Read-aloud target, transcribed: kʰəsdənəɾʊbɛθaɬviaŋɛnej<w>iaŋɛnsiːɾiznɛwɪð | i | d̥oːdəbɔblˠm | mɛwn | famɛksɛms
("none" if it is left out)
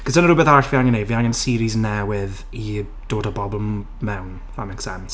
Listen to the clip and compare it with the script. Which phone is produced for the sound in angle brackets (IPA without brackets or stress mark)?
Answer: v